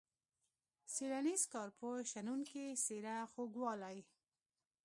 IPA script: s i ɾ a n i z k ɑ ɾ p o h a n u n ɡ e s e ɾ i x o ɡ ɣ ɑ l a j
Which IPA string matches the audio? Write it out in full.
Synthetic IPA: s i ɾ a n i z k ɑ ɾ p o ʃ a n u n k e s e ɾ a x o ɡ w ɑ l a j